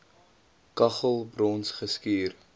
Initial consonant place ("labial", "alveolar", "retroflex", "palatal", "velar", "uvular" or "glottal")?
velar